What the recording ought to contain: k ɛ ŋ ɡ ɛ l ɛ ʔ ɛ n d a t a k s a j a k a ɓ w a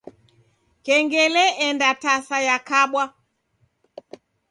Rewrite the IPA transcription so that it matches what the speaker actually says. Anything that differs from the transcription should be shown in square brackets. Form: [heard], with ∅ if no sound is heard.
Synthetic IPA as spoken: k ɛ ŋ ɡ ɛ l ɛ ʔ ɛ n d a t a [∅] s a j a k a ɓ w a